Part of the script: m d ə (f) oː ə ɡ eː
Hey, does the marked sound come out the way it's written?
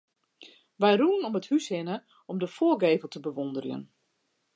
yes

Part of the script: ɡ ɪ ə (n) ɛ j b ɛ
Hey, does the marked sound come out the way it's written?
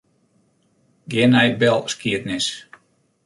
yes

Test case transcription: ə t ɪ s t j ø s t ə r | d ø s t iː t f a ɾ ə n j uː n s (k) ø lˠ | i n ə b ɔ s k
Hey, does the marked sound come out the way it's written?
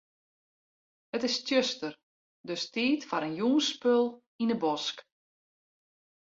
no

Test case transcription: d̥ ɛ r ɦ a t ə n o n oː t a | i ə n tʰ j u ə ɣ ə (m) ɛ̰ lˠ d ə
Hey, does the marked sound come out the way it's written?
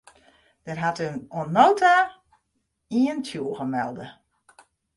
yes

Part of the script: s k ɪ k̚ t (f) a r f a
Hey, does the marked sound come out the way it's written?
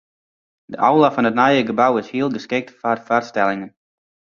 yes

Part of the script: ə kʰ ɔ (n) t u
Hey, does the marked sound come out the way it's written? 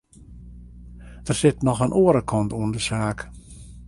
yes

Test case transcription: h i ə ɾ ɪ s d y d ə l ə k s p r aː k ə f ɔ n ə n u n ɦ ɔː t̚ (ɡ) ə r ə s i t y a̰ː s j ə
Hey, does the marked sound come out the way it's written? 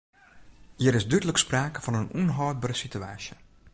no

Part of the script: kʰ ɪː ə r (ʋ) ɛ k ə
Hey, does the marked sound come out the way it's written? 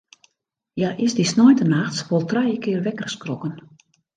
yes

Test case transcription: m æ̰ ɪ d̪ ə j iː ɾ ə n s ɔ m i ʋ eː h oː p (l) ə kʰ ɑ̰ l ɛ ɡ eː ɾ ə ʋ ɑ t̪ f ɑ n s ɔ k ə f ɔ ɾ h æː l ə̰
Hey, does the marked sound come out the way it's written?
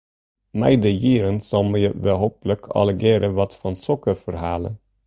yes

